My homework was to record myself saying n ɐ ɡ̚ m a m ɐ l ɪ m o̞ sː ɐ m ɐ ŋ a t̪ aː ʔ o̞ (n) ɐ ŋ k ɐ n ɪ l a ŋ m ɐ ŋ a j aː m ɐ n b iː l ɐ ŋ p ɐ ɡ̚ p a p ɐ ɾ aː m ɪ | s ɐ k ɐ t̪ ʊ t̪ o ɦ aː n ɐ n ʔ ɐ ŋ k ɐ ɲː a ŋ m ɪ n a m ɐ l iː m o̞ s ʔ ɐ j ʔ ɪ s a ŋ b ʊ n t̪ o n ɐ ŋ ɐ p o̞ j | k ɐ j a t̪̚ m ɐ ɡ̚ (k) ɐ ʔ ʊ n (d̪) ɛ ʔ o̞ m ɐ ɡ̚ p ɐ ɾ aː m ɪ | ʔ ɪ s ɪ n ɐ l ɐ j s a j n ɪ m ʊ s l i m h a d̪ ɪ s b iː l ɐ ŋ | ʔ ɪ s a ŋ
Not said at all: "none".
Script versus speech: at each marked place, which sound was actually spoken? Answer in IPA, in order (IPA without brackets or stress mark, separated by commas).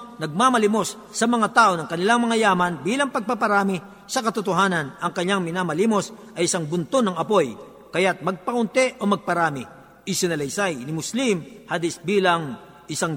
n, p, t̪